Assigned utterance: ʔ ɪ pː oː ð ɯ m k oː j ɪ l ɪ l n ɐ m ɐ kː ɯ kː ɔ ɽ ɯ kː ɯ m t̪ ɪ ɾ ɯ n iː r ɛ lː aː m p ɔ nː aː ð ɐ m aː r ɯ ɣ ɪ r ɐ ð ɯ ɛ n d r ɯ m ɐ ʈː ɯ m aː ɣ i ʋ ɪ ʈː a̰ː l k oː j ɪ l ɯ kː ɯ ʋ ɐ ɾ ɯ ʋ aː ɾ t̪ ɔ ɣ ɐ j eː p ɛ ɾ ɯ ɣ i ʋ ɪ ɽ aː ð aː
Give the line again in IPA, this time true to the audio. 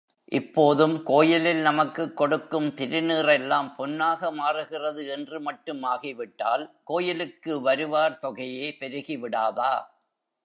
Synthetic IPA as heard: ʔ ɪ pː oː ð ɯ m k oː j ɪ l ɪ l n ɐ m ɐ kː ɯ kː ɔ ɽ ɯ kː ɯ m t̪ ɪ ɾ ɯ n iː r ɛ lː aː m p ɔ nː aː ɣ ɐ m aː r ɯ ɣ ɪ r ɐ ð ɯ ɛ n d r ɯ m ɐ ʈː ɯ m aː ɣ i ʋ ɪ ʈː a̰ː l k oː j ɪ l ɯ kː ɯ ʋ ɐ ɾ ɯ ʋ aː ɾ t̪ ɔ ɣ ɐ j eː p ɛ ɾ ɯ ɣ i ʋ ɪ ɽ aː ð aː